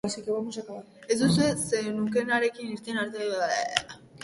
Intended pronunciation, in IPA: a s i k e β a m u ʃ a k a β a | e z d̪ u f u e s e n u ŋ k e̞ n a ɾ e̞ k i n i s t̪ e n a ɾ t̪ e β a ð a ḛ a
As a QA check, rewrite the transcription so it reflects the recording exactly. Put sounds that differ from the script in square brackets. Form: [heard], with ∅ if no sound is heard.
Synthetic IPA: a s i k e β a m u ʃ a k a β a | e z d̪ u [s] u e s e n u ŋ k e̞ n a ɾ e̞ k i n i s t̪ e n a ɾ t̪ e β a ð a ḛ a